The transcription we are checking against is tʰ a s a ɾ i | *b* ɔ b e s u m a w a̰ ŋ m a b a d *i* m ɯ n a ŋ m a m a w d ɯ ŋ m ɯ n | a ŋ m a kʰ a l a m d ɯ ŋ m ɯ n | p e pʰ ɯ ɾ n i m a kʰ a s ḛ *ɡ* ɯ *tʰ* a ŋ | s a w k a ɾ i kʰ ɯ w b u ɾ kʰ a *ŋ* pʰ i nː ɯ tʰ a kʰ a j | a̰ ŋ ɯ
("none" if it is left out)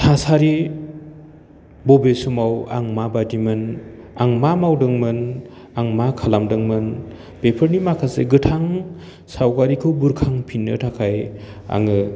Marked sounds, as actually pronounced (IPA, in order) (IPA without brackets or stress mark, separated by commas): b, i, ɡ, tʰ, ŋ